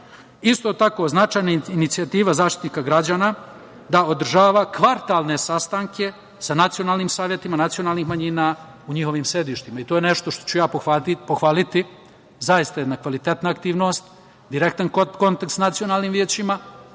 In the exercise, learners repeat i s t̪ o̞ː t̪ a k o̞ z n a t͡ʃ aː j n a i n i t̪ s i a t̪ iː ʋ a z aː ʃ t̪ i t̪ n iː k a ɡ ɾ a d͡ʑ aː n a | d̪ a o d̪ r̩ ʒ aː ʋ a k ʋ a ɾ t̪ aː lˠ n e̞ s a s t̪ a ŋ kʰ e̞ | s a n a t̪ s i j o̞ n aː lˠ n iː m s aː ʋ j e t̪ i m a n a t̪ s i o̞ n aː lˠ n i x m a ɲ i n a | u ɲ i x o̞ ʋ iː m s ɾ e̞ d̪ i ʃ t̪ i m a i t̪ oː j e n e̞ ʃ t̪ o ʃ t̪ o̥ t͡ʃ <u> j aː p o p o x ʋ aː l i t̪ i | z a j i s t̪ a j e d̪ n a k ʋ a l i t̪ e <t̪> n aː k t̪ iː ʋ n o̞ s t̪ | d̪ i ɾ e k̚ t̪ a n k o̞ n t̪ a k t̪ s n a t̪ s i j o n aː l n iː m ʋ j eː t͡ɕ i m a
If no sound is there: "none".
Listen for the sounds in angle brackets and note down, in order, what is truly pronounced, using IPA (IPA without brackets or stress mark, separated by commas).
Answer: u, t̪